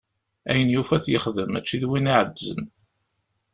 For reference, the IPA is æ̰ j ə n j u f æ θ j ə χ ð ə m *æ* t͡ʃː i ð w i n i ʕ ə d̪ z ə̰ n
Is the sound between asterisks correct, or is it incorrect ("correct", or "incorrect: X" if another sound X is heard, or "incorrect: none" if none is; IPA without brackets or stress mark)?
correct